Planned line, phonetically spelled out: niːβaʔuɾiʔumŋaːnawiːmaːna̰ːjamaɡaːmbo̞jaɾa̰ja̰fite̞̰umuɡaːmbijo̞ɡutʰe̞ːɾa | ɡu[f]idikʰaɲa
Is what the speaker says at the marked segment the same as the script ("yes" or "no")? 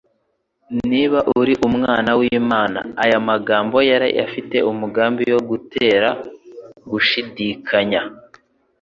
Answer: no